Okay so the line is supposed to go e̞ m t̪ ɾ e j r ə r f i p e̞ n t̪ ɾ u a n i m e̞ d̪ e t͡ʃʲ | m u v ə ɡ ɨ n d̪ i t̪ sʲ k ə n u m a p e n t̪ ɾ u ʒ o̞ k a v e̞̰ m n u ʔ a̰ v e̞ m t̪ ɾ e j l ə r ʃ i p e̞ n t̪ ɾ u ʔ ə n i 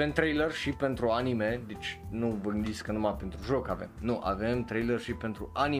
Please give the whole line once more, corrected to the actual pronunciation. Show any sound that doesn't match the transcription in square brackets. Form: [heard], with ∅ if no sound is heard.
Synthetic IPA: e̞ m t̪ ɾ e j [l] ə r [ʃ] i p e̞ n t̪ ɾ u a n i m e̞ d̪ e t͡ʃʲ | [n] u v ə ɡ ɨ n d̪ i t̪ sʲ k ə n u m a p e n t̪ ɾ u ʒ o̞ k a v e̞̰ m n u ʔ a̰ v e̞ m t̪ ɾ e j l ə r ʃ i p e̞ n t̪ ɾ u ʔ [a] n i